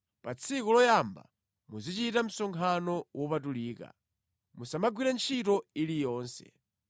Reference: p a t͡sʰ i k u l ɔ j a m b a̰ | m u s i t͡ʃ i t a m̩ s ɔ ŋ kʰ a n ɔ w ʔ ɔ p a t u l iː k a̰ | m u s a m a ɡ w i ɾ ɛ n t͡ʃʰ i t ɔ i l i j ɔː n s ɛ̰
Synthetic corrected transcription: p a t͡sʰ i k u l ɔ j a m b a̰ | m u z i t͡ʃ i t a m̩ s ɔ ŋ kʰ a n ɔ w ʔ ɔ p a t u l iː k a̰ | m u s a m a ɡ w i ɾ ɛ n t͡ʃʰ i t ɔ i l i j ɔː n s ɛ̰